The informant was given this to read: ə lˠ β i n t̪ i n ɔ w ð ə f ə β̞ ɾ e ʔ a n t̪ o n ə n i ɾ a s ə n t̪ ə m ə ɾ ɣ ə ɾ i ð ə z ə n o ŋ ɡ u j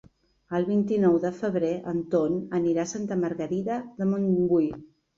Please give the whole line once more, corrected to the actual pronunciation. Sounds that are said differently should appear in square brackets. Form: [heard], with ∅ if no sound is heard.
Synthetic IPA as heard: ə lˠ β i n t̪ i n ɔ w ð ə f ə β̞ ɾ e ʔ [ə] n t̪ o n ə n i ɾ a s [a] n t̪ ə m ə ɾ ɣ ə ɾ i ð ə [ð] ə [m] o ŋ ɡ u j

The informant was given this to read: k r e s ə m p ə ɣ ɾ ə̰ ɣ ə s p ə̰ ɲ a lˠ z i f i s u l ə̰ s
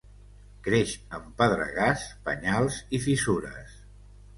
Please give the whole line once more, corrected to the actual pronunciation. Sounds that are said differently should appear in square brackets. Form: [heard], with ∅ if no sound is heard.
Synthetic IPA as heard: k [ɾ] e [ʃ] ə m p ə [ð] ɾ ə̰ ɣ [a] s p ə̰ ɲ a lˠ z i f i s u [ɾ] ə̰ s

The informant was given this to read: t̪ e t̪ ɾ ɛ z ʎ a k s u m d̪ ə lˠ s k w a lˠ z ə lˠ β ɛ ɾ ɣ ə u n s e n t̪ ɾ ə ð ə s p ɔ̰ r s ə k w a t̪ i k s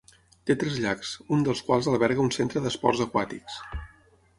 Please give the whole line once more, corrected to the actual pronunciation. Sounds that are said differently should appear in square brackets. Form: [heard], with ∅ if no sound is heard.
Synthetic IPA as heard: t̪ e t̪ ɾ ɛ z ʎ a k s u [n] d̪ ə lˠ s k w a lˠ z ə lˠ β ɛ ɾ ɣ ə u n s e n t̪ ɾ ə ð ə s p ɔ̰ r [z] ə k w a t̪ i k s

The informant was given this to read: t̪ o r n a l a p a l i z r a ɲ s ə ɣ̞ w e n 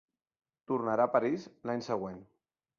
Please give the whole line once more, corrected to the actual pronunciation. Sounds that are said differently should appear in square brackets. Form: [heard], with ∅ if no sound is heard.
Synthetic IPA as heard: t̪ [u] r n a [ɾ] a p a [ɾ] i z [l] a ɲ s ə ɣ̞ w e n

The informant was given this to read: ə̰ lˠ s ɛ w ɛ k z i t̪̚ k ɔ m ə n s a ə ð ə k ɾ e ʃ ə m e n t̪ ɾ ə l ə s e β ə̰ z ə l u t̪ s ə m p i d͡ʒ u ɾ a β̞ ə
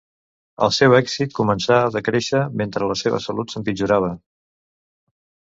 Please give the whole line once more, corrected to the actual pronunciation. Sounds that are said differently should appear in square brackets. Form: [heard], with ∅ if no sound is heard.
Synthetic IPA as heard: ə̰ lˠ s ɛ w ɛ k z i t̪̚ k [u] m ə n s a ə ð ə k ɾ e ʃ ə m e n t̪ ɾ ə l ə s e β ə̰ [s] ə l u t̪ s ə m p i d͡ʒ u ɾ a β̞ ə

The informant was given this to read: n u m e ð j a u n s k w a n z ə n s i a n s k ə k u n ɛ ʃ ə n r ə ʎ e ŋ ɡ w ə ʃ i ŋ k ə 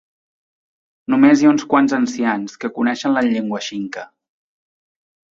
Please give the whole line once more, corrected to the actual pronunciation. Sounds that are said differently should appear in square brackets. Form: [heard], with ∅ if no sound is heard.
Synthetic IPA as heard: n u m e [z] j a u n s k w a n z ə n s i a n s k ə k u n ɛ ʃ ə n [l] ə ʎ e ŋ ɡ w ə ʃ i ŋ k ə

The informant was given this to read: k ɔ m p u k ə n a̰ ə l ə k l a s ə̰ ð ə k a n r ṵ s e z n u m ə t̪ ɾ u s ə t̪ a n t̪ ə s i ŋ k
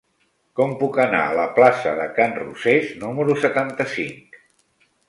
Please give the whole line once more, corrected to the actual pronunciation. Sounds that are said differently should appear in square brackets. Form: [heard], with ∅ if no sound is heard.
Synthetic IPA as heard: k ɔ m p u k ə n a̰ ə l ə [p] l a s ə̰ ð ə k a n r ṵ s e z n u m ə [∅] ɾ u s ə t̪ a n t̪ ə s i ŋ k

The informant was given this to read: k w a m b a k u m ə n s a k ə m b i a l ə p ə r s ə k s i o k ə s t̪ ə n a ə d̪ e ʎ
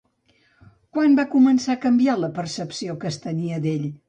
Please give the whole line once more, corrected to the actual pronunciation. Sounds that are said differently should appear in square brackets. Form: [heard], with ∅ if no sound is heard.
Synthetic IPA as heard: k w a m b a k u m ə n s a k ə m b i a l ə p ə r s ə [p] s i o k ə s t̪ ə n [i] ə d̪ e ʎ

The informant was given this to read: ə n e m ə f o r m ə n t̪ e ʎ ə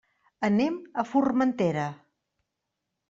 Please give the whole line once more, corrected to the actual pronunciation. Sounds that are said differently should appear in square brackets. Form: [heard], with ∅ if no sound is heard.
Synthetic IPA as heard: ə n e m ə f [u] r m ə n t̪ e [ɾ] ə

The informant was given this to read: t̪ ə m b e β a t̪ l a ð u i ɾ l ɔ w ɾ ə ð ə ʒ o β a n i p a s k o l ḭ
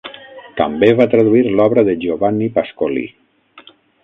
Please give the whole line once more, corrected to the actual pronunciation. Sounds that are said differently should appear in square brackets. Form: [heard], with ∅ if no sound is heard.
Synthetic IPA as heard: t̪ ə m b e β a t̪ [ɾ] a ð u i ɾ l ɔ [β] ɾ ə ð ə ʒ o β a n i p a s k o l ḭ

